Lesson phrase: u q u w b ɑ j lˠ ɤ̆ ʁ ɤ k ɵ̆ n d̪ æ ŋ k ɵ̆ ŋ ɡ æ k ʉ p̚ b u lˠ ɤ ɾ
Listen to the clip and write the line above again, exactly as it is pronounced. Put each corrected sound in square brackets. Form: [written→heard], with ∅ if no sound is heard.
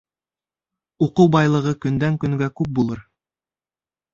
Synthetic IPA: u q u w b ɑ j lˠ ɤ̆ ʁ ɤ k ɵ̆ n d̪ æ ŋ k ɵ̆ ŋ ɡ æ k ʉ p̚ b u lˠ ɤ ɾ